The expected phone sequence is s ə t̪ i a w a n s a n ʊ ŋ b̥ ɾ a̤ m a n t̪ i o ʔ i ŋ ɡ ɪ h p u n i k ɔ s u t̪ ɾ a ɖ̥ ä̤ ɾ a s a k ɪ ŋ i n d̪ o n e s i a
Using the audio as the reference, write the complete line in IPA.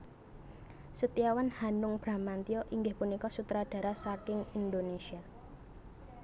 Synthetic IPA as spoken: s ə t̪ i a w a n h a n ʊ ŋ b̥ ɾ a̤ m a n t̪ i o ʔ i ŋ ɡ ɪ h p u n i k ɔ s u t̪ ɾ a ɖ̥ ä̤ ɾ a s a k ɪ ŋ i n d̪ o n e s i a